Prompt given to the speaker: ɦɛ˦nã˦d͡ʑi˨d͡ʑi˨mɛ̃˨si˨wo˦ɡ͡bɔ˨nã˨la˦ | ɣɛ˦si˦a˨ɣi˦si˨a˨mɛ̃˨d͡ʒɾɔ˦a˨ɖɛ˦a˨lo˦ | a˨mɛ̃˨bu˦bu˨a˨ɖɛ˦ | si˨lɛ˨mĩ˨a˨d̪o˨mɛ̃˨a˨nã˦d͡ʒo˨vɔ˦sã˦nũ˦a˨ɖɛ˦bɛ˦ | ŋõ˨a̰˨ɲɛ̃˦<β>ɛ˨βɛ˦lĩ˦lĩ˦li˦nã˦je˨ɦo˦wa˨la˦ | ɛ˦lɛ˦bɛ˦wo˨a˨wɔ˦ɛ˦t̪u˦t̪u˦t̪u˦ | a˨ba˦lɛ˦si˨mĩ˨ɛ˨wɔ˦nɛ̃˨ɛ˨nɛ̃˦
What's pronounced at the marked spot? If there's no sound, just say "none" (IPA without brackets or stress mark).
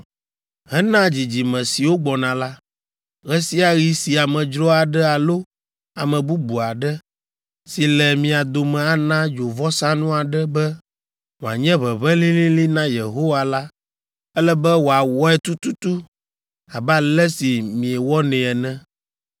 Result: β